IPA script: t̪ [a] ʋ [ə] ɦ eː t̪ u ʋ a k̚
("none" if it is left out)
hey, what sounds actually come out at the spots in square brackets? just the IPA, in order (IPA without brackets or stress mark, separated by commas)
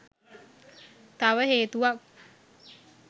a, ə